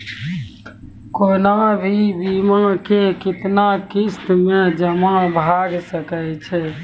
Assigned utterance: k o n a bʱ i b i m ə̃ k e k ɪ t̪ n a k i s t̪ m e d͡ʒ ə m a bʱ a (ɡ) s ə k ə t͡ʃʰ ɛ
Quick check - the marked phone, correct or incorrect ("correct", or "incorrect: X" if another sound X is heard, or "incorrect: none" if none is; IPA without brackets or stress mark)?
correct